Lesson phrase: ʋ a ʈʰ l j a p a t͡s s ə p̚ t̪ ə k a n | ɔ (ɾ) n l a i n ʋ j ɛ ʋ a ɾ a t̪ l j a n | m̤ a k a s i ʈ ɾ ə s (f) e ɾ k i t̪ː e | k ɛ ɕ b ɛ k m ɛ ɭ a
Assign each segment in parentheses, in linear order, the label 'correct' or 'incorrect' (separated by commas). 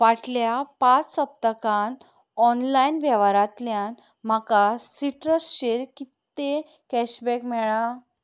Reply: incorrect, incorrect